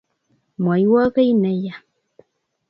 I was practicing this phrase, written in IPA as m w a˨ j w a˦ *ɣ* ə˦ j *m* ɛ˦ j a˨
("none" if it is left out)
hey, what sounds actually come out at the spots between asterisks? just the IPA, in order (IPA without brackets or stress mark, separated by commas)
ɣ, n